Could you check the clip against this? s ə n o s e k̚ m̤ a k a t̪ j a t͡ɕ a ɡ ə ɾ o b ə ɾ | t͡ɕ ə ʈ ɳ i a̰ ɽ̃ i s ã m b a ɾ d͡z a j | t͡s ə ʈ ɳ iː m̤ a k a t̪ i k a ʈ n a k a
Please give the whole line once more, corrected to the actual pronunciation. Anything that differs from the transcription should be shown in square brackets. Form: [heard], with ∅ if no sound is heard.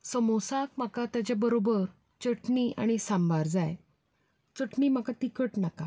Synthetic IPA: s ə [m] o s [a] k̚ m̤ a k a t̪ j a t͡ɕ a [b] ə ɾ o b ə ɾ | t͡ɕ ə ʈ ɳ i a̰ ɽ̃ i s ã m b a ɾ d͡z a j | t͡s ə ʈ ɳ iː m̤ a k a t̪ i k [ə] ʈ n a k a